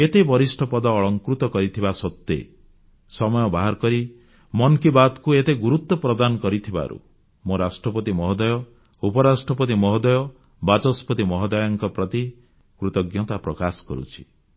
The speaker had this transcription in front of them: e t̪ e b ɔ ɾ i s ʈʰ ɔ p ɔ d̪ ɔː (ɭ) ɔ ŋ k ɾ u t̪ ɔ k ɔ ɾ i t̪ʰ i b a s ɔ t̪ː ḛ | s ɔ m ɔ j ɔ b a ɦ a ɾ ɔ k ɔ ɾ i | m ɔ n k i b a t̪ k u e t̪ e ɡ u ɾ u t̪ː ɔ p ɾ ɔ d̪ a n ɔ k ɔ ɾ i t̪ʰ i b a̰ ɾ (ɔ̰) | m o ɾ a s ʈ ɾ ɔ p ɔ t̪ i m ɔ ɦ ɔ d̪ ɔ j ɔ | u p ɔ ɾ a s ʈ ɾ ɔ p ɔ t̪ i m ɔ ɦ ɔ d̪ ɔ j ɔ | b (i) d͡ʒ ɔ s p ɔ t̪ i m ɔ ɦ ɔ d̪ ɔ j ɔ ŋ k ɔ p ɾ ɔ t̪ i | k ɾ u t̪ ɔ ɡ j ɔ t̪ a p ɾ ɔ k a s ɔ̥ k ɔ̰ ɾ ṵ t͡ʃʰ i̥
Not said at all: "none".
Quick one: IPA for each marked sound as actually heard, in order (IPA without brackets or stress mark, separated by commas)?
ɭ, ṵ, a